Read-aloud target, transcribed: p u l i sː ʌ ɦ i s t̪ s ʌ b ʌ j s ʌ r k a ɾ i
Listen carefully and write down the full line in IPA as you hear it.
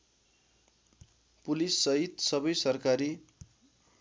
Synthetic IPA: p u l i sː ʌ ɦ i t̪ s ʌ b ʌ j s ʌ r k a ɾ i